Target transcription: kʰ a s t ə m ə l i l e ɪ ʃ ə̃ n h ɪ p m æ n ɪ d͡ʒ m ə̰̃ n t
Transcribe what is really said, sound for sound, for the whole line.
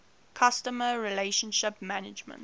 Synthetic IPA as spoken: kʰ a s t ə m ə ɹ i l e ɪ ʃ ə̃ n ʃ ɪ p m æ n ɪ d͡ʒ m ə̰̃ n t

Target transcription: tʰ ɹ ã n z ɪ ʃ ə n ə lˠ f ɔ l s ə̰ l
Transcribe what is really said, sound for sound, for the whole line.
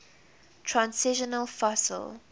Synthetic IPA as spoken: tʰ ɹ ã n s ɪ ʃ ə n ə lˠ f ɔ s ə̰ l

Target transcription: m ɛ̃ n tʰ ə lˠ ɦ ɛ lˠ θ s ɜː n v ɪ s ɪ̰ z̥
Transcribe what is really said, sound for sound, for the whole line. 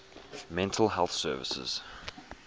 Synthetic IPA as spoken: m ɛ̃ n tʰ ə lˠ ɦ ɛ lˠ θ s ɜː v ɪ s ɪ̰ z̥

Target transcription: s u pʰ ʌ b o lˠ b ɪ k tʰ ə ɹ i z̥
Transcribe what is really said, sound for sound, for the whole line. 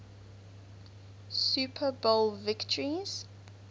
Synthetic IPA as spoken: s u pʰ ə b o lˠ v ɪ k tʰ ə ɹ i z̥

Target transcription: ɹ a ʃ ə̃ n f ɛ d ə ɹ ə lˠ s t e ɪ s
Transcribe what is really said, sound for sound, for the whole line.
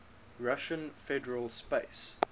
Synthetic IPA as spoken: ɹ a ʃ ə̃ n f ɛ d ə ɹ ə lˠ s p e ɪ s

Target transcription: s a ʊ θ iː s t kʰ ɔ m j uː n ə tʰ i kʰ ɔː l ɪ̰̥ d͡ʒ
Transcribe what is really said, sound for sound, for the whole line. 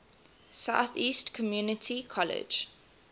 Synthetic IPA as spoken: s a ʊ θ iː s t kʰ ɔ m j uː n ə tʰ i kʰ ɔ l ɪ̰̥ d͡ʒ

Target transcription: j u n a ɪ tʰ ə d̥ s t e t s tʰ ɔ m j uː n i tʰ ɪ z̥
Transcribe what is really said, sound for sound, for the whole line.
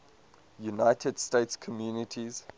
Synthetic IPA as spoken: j u n a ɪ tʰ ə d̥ s t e t s kʰ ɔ m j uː n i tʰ i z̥

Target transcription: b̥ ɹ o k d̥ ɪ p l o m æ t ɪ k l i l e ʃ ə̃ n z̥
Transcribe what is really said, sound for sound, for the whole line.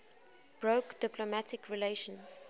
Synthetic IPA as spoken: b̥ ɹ o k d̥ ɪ p l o m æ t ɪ k ɹ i l e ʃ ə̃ n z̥

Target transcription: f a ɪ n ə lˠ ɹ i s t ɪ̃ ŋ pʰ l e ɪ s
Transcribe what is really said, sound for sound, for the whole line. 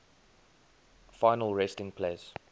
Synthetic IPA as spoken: f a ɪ n ə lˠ ɹ ɛ s t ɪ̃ ŋ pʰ l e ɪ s

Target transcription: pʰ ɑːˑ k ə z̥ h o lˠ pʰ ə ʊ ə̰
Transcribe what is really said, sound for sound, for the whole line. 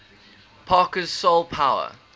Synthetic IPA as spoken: pʰ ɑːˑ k ə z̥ s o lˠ pʰ a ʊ ə̰

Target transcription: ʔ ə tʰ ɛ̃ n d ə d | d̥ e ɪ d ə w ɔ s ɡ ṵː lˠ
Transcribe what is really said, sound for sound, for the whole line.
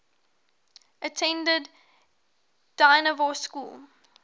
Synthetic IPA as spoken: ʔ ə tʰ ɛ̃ n d ə d | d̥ a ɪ n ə v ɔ s k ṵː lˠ

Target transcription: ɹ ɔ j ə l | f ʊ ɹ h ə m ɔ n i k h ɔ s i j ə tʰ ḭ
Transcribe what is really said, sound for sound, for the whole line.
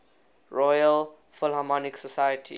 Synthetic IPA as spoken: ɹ ɔ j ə l | f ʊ l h a m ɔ n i k s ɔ s a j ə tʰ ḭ

